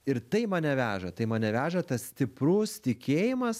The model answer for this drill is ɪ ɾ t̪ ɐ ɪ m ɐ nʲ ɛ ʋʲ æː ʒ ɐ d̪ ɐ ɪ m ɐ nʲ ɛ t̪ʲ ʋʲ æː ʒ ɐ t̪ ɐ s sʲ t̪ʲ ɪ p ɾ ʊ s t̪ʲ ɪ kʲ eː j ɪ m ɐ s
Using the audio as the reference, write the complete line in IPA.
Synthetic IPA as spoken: ɪ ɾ t̪ ɐ ɪ m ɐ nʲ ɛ ʋʲ æː ʒ ɐ t̪ ɐ ɪ m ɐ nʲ ɛ ʋʲ æː ʒ ɐ t̪ ɐ s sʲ t̪ʲ ɪ p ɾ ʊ s t̪ʲ ɪ kʲ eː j ɪ m ɐ s